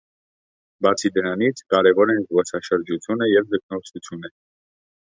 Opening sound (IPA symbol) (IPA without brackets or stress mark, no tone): b